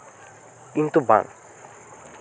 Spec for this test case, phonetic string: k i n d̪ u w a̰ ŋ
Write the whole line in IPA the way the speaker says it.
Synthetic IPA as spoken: k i n t̪ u b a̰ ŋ

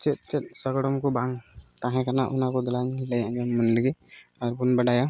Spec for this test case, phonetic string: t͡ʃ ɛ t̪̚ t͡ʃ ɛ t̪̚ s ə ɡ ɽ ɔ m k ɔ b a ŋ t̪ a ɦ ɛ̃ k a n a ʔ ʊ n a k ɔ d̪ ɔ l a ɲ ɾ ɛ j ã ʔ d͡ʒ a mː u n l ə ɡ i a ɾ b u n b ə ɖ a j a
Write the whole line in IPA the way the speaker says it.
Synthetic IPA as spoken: t͡ʃ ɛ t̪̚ t͡ʃ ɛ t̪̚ s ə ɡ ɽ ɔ m k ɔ b a ŋ t̪ a ɦ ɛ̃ k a n a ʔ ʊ n a k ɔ d̪ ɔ l a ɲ l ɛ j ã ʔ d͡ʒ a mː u n l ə ɡ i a ɾ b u n b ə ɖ a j a

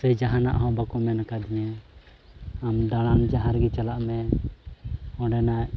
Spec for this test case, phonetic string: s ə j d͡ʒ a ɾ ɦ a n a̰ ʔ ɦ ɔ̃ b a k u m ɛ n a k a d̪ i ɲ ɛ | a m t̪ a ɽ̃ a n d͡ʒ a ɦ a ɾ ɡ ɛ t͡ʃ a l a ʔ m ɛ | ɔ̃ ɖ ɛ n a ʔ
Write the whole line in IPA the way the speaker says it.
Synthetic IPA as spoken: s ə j d͡ʒ a ɦ a n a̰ ʔ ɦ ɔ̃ b a k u m ɛ n a k a d̪ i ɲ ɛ | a m d̪ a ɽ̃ a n d͡ʒ a ɦ a ɾ ɡ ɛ t͡ʃ a l a ʔ m ɛ | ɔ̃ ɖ ɛ n a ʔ

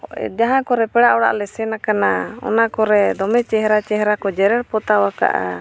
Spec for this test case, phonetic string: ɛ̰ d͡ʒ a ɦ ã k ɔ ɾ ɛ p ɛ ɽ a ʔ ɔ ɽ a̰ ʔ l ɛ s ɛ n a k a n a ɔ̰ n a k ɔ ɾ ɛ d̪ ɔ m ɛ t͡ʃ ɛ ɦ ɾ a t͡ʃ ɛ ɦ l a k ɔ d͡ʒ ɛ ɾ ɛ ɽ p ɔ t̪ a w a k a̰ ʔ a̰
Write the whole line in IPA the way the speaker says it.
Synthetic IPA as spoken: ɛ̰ d͡ʒ a ɦ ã k ɔ ɾ ɛ p ɛ ɽ a ʔ ɔ ɽ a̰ ʔ l ɛ s ɛ n a k a n a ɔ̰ n a k ɔ ɾ ɛ d̪ ɔ m ɛ t͡ʃ ɛ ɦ ɾ a t͡ʃ ɛ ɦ ɾ a k ɔ d͡ʒ ɛ ɾ ɛ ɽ p ɔ t̪ a w a k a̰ ʔ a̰

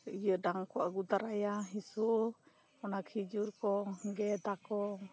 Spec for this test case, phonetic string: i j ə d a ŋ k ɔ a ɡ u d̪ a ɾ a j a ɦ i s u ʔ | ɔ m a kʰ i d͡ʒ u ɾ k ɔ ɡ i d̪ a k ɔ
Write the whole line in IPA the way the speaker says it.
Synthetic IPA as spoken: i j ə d a ŋ k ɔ a ɡ u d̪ a ɾ a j a ɦ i s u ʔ | ɔ n a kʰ i d͡ʒ u ɾ k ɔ ɡ ɛ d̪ a k ɔ

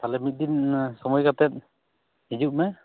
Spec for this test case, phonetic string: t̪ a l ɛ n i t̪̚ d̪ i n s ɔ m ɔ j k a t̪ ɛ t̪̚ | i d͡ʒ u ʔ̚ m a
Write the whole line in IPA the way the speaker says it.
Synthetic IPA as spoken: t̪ a l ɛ m i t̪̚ d̪ i n s ɔ m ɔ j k a t̪ ɛ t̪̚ | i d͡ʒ u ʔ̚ m ɛ

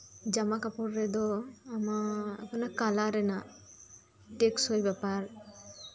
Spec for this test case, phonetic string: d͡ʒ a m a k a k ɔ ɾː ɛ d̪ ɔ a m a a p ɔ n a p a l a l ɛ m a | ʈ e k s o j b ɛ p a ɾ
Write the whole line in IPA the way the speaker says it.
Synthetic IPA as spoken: d͡ʒ a m a k a p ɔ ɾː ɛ d̪ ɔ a m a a p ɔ n a k a l a ɾ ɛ n a | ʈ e k s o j b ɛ p a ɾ

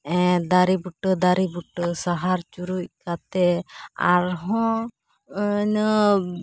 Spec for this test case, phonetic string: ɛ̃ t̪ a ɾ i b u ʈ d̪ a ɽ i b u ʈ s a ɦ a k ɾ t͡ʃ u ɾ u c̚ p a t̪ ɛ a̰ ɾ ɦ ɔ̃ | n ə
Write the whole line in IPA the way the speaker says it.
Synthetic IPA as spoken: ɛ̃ d̪ a ɾ i b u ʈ d̪ a ɾ i b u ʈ s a ɦ a ɾ t͡ʃ u ɾ u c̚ k a t̪ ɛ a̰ ɾ ɦ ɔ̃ | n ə

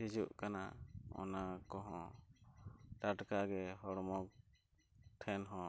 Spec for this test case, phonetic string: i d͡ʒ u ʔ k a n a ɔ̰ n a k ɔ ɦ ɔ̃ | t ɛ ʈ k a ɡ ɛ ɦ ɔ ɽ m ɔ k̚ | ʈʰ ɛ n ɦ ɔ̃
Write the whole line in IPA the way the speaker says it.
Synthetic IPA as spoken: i d͡ʒ u ʔ k a n a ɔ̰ n a k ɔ ɦ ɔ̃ | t a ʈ k a ɡ ɛ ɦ ɔ ɽ m ɔ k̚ | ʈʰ ɛ n ɦ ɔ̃

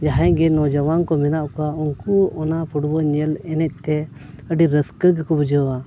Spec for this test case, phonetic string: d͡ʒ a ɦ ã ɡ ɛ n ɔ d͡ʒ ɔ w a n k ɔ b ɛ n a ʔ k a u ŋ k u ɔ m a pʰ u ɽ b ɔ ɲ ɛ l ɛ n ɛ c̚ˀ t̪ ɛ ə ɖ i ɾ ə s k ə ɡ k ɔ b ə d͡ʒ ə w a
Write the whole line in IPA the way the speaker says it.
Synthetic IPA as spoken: d͡ʒ a ɦ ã ɡ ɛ n ɔ d͡ʒ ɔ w a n k ɔ m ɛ n a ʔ k a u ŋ k u ɔ n a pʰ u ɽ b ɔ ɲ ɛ l ɛ n ɛ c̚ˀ t̪ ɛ ə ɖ i ɾ ə s k ə ɡ k ɔ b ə d͡ʒ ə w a

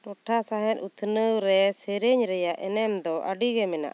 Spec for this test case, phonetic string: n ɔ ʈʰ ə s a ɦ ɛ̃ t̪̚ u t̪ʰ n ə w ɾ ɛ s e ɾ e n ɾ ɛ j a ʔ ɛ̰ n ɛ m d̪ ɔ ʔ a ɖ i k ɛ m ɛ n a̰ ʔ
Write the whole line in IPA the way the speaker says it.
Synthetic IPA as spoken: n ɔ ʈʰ a s a ɦ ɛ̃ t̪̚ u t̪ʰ n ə w ɾ ɛ s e ɾ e ɲ ɾ ɛ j a ʔ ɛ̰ n ɛ m d̪ ɔ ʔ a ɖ i ɡ ɛ m ɛ n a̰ ʔ

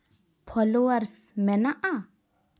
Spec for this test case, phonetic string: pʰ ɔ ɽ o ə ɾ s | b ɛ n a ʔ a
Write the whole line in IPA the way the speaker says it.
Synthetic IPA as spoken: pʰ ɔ l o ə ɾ s | m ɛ n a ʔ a

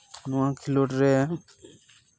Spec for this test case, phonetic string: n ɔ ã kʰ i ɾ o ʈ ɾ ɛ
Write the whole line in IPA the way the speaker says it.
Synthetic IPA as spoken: n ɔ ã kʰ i l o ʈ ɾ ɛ

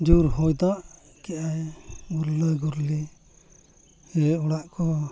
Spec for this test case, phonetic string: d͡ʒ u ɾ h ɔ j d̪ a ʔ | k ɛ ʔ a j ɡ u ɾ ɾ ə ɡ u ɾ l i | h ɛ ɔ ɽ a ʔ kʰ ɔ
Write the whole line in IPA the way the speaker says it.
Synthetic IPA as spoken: d͡ʒ u ɾ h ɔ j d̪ a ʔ | k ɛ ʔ a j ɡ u ɾ l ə ɡ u ɾ l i | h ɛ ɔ ɽ a ʔ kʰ ɔ

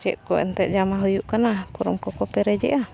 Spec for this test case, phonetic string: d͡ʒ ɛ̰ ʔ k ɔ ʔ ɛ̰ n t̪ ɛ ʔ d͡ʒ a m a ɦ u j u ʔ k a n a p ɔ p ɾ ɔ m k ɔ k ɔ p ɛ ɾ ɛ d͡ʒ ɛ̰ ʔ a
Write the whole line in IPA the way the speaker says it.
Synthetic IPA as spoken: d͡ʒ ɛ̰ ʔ k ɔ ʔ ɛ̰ n t̪ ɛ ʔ d͡ʒ a m a ɦ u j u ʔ k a n a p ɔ ɾ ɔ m k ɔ k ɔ p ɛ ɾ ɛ d͡ʒ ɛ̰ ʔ a

